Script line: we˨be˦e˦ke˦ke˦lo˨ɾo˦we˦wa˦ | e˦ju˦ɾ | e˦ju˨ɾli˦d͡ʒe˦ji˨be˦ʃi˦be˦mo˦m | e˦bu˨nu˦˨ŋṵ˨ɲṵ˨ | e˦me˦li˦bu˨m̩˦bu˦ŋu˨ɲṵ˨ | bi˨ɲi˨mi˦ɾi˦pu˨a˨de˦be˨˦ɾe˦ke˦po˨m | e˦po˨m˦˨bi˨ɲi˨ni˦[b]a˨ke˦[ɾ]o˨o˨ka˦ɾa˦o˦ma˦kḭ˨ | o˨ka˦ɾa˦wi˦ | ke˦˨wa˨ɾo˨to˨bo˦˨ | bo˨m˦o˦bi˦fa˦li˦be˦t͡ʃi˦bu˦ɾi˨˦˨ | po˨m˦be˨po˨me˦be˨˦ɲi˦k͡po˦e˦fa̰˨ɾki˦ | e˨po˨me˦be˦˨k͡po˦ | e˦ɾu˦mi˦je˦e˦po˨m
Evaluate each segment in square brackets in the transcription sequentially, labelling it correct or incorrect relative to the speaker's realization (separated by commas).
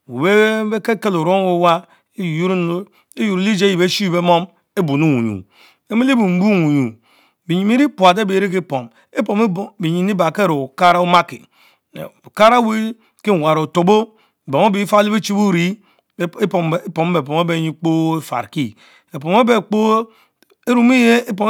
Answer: correct, correct